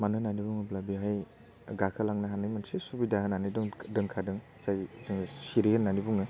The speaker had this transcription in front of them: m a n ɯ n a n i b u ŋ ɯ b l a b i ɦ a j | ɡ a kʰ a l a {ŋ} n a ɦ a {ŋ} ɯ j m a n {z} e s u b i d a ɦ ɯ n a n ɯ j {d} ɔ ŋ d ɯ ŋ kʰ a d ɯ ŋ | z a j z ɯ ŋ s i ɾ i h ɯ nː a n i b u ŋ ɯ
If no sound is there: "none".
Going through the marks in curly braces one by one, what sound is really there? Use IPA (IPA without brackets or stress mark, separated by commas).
ŋ, n, s, d